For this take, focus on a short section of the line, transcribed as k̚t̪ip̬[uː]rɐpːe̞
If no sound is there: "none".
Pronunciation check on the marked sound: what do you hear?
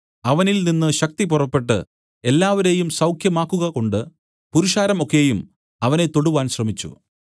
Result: u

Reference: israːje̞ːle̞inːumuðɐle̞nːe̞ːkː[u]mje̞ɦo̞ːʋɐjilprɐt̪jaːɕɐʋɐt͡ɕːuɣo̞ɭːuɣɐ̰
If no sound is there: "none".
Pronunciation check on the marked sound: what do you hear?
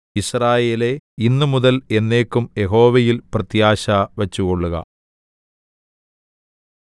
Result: u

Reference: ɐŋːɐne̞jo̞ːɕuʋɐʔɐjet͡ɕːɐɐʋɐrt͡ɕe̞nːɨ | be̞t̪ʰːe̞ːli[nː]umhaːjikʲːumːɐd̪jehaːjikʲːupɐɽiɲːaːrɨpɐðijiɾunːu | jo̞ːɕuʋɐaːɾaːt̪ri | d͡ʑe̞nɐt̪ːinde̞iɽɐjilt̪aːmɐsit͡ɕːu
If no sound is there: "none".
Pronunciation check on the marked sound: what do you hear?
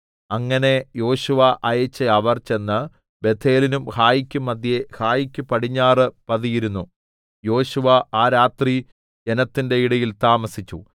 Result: n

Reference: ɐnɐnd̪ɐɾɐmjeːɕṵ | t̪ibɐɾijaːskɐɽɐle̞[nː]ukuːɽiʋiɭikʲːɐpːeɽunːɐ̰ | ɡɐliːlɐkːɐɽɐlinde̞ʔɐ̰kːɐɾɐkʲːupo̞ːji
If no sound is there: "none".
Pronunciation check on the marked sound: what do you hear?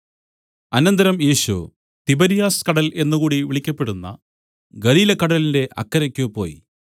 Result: nː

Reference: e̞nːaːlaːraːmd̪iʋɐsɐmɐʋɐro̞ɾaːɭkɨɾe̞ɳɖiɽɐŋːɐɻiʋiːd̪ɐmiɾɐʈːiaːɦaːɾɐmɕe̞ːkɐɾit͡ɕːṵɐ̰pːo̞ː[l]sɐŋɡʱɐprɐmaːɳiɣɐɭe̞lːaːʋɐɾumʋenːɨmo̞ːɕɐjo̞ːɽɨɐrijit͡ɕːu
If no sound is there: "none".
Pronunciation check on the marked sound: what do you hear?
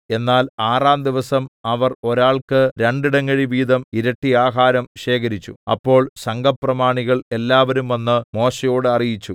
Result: ɭ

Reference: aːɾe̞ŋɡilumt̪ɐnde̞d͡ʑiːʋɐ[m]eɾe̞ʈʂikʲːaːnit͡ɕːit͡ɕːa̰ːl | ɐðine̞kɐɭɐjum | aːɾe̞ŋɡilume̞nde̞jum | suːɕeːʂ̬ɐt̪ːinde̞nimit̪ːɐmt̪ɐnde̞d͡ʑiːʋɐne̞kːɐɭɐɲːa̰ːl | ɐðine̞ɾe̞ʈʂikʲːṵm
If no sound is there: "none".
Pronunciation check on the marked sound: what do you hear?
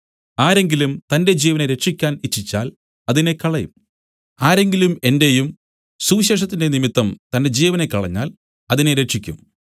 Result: n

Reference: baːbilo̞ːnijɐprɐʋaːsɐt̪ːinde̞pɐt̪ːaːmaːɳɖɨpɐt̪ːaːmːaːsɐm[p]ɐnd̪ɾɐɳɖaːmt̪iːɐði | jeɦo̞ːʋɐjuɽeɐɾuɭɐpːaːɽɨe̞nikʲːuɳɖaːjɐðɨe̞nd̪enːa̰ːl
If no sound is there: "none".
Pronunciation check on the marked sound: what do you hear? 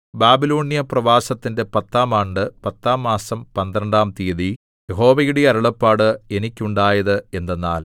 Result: p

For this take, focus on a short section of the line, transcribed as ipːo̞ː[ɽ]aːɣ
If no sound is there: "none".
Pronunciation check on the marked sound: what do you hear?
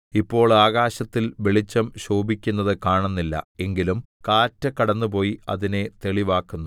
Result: ɭ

